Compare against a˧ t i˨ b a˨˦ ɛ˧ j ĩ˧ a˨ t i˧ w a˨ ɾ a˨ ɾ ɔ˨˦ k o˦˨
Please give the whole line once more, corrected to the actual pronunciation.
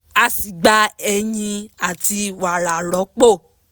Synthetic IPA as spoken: a˧ s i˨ ɡ͡b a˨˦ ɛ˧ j ĩ˧ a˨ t i˧ w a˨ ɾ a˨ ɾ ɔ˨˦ k͡p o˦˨

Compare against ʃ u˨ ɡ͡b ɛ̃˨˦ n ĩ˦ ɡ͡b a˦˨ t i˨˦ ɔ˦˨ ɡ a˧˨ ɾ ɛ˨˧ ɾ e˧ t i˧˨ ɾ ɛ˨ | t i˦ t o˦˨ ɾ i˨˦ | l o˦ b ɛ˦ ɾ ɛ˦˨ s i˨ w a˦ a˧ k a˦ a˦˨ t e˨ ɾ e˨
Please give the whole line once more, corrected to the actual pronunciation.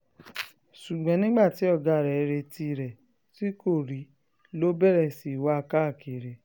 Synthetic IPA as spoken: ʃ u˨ ɡ͡b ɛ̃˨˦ n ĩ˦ ɡ͡b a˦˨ t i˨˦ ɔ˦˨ ɡ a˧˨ ɾ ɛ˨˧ ɾ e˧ t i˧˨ ɾ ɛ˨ | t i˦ k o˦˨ ɾ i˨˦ | l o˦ b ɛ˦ ɾ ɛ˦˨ s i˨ w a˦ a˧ k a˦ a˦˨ k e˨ ɾ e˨

